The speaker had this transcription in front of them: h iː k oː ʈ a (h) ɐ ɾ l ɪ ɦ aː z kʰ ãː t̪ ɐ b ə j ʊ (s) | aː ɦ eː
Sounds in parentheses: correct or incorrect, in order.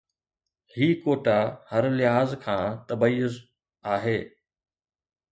correct, incorrect

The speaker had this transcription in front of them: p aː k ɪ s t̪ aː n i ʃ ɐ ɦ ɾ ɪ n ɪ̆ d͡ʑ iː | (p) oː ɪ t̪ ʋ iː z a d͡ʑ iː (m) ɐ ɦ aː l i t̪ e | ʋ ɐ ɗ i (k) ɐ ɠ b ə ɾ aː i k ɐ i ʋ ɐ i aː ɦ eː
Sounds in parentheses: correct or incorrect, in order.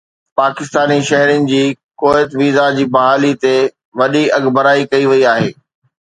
incorrect, incorrect, incorrect

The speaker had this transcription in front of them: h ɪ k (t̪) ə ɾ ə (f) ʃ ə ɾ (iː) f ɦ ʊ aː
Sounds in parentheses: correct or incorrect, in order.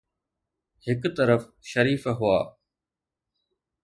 correct, correct, correct

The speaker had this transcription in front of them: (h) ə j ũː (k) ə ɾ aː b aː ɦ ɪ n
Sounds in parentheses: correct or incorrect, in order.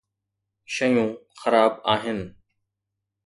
incorrect, incorrect

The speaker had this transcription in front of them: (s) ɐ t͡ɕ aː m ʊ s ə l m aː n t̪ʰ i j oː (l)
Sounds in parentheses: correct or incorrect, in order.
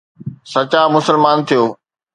correct, incorrect

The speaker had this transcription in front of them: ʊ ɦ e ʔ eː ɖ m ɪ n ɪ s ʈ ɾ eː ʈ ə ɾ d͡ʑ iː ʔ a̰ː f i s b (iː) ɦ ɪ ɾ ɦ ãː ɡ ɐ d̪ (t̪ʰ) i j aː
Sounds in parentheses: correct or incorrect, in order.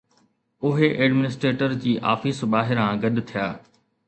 incorrect, correct

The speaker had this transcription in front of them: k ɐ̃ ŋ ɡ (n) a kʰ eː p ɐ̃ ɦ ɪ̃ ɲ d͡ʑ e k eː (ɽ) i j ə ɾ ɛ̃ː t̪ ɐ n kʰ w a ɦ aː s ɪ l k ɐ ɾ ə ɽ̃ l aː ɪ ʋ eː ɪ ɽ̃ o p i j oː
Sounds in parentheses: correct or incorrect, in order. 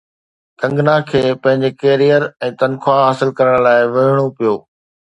correct, incorrect

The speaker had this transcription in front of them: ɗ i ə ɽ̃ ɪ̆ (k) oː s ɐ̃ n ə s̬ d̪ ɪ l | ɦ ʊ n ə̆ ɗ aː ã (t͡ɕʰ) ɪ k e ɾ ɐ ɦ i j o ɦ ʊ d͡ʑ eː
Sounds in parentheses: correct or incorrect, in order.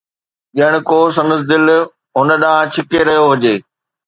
correct, correct

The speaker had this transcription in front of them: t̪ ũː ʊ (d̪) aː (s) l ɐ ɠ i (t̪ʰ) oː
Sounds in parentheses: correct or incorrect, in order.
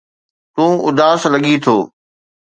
correct, correct, correct

